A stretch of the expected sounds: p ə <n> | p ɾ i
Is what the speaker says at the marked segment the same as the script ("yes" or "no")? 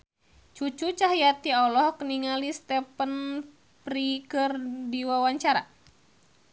yes